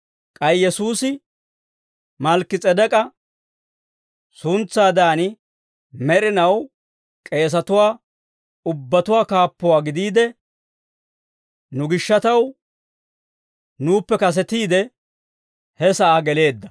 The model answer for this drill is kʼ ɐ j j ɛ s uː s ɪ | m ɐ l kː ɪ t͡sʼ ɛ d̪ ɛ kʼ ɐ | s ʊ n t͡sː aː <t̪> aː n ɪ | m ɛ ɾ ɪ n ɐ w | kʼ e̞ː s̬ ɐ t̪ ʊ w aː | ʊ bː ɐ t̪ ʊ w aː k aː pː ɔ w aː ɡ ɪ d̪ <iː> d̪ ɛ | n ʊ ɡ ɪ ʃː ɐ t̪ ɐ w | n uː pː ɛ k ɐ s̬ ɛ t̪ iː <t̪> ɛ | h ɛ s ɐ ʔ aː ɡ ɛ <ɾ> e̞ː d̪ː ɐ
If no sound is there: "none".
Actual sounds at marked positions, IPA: d̪, iː, d̪, l

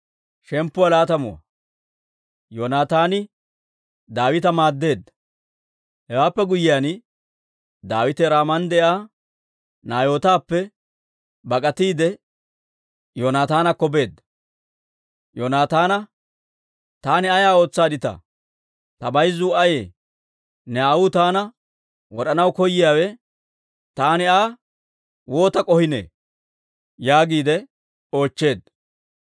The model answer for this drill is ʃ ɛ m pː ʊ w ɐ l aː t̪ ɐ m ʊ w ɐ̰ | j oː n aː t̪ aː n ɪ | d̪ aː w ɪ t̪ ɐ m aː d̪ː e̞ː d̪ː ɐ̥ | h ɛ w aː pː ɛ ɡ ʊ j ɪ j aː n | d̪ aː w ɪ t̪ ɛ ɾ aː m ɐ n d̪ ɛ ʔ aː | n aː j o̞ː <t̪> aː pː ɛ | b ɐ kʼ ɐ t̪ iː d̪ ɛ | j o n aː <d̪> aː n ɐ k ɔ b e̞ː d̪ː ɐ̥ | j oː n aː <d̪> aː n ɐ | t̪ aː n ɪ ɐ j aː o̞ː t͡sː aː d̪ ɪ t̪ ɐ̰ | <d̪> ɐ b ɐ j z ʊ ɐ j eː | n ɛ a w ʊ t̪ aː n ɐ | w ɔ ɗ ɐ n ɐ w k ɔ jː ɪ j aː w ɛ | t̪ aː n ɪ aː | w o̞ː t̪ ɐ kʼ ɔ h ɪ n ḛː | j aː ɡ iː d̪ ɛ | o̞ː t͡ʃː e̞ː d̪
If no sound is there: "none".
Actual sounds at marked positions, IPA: t̪, t̪, t̪, t̪

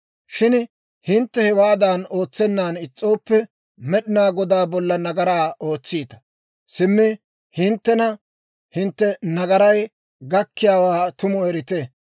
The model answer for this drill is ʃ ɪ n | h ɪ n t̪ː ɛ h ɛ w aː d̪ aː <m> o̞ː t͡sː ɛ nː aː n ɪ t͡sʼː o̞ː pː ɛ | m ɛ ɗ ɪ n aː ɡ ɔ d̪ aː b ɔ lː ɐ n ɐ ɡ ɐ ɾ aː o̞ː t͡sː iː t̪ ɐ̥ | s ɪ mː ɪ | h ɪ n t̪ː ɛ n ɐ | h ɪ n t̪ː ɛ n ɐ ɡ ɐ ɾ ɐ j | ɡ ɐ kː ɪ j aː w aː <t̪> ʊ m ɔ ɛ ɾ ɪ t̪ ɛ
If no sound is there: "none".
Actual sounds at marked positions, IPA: n, t̪

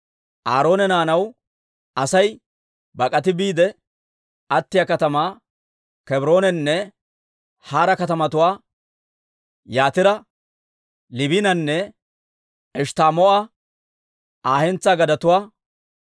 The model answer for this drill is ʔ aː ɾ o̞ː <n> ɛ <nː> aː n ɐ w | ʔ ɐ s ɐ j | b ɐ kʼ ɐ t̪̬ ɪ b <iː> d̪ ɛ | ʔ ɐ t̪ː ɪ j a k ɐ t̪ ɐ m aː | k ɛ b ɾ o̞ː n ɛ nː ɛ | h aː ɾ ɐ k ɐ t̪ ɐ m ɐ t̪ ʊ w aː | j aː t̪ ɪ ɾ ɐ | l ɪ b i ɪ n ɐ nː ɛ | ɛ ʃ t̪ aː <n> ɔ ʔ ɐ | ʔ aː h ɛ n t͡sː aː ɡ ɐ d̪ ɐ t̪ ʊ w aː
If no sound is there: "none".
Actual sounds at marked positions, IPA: n, n, iː, m

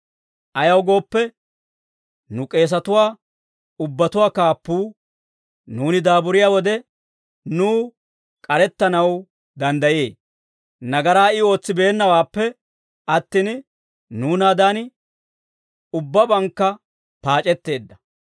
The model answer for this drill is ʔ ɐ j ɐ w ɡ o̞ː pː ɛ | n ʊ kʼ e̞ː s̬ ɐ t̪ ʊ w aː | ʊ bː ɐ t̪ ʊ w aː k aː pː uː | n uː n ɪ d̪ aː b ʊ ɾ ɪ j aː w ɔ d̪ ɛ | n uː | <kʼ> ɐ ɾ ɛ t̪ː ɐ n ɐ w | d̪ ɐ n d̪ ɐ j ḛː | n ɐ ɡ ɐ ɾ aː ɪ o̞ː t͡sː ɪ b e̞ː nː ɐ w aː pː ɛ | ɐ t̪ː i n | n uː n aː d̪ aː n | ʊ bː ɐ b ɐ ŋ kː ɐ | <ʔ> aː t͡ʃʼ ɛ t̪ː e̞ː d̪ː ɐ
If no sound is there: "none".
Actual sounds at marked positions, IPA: kʼ, p

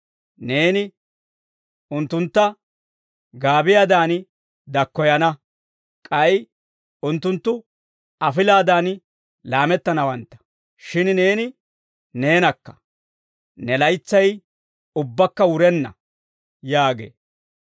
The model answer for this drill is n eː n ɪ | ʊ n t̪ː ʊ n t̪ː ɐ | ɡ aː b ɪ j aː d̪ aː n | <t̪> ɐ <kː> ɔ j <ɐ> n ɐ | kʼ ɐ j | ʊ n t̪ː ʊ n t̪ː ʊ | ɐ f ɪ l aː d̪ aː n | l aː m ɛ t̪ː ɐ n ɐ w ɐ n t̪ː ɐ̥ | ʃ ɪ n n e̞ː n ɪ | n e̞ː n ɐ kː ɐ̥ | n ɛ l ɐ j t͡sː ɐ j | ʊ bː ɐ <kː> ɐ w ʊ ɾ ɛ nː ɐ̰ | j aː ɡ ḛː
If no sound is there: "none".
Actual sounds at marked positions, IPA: d̪, kː, ɐ, kː

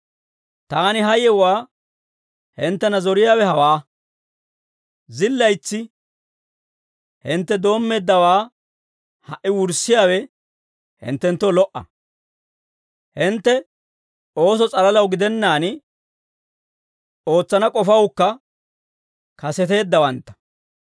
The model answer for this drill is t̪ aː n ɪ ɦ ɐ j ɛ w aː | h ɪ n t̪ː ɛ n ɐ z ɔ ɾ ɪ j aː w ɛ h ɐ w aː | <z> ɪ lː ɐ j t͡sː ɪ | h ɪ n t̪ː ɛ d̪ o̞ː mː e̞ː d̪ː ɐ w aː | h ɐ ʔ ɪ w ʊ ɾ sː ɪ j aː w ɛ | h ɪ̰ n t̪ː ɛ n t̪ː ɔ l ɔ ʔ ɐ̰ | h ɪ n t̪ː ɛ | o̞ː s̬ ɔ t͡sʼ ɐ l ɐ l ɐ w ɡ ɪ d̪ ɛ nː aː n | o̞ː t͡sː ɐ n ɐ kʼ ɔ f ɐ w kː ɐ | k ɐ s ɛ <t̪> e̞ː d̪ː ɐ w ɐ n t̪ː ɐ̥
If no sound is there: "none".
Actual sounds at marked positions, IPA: z, t̪

